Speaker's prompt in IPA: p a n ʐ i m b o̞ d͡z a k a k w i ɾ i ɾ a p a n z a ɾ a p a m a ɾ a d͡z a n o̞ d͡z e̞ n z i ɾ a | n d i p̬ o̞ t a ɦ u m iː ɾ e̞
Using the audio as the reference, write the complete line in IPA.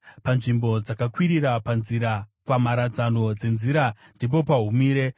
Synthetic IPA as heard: p a n ʐ i m b o̞ d͡z a k a k w i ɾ i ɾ a p a n z i ɾ a p a m a ɾ a d͡z a n o̞ d͡z e̞ n z i ɾ a | n d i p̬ o̞ p a ɦ u m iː ɾ e̞